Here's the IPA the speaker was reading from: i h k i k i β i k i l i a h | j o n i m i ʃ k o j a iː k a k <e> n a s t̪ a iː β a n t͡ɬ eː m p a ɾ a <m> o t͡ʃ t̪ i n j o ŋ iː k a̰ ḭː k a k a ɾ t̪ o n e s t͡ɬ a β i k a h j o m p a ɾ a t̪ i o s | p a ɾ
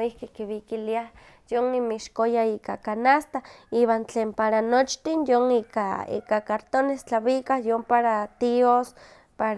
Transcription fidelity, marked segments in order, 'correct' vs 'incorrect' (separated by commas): incorrect, incorrect